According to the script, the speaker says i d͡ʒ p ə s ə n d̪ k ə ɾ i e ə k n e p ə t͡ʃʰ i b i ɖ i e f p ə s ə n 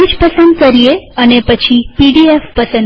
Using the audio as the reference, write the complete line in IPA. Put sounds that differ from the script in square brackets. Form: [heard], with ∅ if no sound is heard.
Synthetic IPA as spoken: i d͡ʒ p ə s ə n d̪ k ə ɾ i e ə [∅] n e p ə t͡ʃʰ i [p] i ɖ i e f p ə s ə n